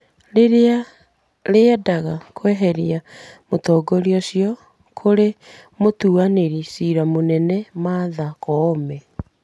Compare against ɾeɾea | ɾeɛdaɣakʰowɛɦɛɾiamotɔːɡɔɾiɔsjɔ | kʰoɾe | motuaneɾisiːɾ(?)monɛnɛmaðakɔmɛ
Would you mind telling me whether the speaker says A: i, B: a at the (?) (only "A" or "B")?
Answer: B